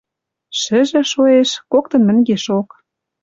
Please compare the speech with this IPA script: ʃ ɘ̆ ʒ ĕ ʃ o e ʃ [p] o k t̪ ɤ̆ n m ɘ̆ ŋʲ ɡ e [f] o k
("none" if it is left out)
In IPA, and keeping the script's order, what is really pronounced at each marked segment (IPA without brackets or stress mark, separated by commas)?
k, ʃ